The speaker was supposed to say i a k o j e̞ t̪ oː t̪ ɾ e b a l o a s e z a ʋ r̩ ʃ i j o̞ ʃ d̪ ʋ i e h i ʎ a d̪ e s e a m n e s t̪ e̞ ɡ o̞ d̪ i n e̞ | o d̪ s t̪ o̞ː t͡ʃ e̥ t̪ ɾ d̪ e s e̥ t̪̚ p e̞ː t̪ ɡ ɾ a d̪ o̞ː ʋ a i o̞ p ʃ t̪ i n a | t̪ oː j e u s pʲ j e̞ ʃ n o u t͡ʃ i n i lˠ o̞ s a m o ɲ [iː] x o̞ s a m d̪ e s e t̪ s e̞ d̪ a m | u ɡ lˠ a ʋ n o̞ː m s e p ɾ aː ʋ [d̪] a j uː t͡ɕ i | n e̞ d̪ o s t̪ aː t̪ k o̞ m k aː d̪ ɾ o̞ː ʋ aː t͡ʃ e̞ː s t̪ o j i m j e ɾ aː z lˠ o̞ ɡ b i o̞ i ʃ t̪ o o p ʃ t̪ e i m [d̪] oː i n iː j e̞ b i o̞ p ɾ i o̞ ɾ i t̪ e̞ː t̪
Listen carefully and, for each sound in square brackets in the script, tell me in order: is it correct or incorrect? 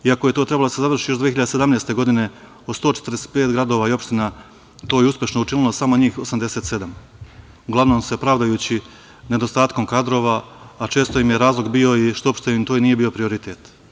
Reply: correct, correct, incorrect: t̪

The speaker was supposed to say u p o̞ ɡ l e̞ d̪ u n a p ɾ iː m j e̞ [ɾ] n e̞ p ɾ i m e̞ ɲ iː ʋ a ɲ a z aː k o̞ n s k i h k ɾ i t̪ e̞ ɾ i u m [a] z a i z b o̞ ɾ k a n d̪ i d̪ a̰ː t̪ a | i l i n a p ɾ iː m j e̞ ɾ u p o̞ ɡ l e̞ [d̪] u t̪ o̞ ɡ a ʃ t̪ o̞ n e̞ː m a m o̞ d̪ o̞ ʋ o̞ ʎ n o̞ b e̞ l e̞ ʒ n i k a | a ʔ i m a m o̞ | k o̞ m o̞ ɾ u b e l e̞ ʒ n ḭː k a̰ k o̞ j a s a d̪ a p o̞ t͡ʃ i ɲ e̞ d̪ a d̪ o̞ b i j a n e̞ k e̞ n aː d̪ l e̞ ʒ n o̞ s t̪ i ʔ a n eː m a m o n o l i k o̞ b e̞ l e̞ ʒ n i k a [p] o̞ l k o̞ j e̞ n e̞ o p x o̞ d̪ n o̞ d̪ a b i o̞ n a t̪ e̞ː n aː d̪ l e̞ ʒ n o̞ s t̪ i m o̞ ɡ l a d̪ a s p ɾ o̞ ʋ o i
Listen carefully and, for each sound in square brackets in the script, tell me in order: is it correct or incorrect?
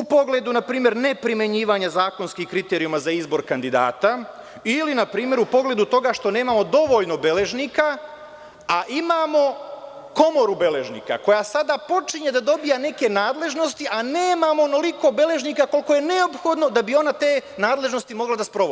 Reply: correct, correct, correct, incorrect: k

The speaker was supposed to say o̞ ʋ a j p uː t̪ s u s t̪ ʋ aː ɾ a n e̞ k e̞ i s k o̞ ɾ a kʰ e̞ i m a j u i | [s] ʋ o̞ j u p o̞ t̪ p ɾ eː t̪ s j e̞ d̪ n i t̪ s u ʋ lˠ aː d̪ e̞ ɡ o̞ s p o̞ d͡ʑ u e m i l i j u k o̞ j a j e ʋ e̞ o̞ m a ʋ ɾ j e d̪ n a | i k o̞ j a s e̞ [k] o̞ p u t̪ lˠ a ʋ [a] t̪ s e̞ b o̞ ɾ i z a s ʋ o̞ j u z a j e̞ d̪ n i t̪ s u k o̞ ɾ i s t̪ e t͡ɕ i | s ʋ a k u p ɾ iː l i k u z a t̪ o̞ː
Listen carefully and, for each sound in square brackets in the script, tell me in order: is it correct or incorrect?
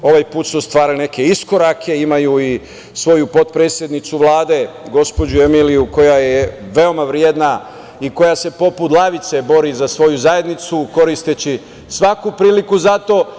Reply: correct, incorrect: p, incorrect: i

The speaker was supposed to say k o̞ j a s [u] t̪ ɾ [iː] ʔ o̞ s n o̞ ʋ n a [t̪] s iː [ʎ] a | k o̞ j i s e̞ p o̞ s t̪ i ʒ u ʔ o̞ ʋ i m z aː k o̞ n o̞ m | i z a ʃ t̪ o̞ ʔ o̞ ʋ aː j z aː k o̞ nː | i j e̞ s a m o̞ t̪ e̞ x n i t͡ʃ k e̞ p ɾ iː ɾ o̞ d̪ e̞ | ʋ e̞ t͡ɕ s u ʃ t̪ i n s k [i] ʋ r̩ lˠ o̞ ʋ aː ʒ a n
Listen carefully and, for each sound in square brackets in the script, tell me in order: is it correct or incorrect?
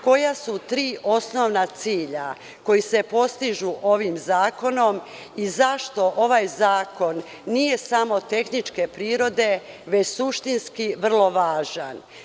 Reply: correct, correct, correct, correct, correct

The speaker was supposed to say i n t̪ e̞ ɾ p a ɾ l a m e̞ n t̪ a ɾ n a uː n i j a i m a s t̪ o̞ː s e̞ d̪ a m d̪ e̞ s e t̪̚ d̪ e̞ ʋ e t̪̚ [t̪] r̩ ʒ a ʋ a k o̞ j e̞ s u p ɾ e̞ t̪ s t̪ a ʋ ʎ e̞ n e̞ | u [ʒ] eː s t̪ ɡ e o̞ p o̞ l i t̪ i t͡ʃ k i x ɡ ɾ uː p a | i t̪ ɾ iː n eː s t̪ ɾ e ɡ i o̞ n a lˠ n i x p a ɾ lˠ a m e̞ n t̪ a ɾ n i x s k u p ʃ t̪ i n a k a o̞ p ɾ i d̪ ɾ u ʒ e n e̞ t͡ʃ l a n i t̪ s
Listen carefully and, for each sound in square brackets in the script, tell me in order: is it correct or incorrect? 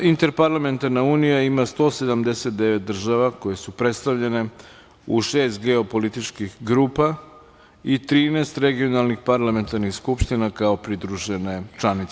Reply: incorrect: d̪, incorrect: ʃ

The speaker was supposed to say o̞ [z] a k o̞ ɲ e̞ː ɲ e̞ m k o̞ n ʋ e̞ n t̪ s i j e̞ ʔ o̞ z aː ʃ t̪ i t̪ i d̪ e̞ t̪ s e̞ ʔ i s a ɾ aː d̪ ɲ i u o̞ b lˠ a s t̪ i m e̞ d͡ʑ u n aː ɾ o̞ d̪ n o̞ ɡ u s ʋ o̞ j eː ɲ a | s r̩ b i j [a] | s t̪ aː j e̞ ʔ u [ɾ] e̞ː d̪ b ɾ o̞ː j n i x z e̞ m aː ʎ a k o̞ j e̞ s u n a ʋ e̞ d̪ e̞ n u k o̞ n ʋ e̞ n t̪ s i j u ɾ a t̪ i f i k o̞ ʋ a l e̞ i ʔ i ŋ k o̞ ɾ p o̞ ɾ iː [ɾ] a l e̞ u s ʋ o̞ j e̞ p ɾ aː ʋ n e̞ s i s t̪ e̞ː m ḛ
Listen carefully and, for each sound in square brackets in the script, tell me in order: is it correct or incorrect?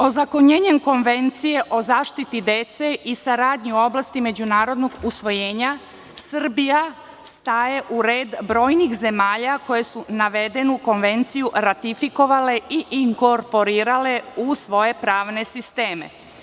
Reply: correct, correct, correct, correct

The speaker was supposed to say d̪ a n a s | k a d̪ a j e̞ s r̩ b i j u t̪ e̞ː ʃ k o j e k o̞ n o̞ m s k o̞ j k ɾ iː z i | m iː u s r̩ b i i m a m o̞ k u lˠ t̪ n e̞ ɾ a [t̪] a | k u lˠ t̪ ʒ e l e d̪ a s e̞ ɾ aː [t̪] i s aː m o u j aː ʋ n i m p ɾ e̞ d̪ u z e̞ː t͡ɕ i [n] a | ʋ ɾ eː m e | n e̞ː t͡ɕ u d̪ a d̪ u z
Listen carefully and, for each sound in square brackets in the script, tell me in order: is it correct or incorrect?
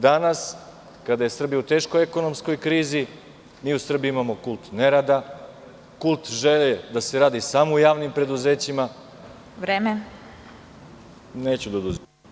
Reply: incorrect: d̪, incorrect: d̪, incorrect: m

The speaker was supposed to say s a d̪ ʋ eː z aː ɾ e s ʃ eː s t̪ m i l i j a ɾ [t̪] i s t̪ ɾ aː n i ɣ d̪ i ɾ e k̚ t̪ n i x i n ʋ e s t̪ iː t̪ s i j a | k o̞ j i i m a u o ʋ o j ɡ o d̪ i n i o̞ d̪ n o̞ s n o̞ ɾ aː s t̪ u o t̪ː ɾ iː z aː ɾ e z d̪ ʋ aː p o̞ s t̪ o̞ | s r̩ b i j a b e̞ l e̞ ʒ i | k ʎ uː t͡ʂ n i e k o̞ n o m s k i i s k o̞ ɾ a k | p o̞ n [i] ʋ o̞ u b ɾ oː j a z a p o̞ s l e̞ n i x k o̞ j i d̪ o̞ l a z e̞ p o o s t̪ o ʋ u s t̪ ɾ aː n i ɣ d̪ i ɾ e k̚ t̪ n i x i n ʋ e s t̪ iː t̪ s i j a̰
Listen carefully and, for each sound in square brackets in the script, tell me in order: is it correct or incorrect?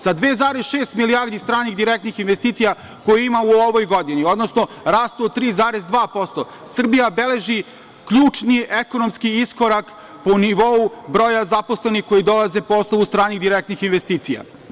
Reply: incorrect: d̪, correct

